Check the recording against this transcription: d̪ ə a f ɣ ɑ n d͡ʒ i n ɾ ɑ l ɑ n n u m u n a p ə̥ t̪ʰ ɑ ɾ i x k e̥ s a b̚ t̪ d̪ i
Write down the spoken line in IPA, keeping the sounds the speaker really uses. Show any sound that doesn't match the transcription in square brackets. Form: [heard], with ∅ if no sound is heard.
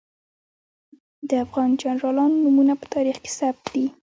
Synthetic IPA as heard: d̪ ə a f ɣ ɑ n d͡ʒ [a] n ɾ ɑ l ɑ n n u m u n a p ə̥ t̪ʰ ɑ ɾ i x k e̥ s a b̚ t̪ d̪ i